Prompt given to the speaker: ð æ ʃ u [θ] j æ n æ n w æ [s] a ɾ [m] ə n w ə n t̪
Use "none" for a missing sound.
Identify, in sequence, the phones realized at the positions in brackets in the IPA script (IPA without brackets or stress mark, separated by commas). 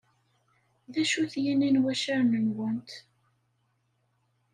θ, ʃ, n